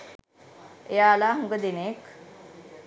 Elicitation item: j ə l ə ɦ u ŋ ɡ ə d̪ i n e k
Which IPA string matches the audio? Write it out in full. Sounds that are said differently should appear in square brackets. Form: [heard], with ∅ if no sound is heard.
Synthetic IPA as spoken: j [a] l [a] ɦ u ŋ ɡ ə d̪ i n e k